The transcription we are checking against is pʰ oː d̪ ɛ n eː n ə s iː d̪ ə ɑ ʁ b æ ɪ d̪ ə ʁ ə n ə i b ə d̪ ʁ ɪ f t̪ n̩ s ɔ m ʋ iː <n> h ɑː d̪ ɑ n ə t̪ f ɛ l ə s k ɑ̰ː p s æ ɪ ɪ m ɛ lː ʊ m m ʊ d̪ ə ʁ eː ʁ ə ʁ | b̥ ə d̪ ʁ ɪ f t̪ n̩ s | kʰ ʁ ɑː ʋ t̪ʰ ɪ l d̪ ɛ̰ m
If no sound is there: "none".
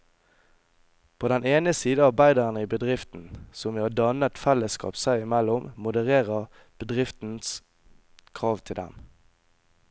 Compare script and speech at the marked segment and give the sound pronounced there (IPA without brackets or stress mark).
none